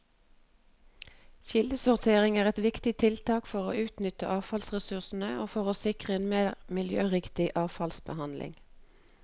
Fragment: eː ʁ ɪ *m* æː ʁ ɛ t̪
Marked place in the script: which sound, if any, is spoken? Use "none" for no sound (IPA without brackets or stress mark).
ŋ